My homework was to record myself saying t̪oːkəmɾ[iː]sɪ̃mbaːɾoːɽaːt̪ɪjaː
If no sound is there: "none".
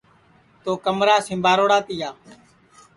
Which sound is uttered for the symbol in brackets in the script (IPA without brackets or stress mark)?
aː